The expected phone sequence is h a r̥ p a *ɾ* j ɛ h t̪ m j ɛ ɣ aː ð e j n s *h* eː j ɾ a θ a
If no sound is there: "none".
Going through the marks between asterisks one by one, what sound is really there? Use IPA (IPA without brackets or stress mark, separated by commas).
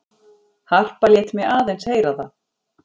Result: l, h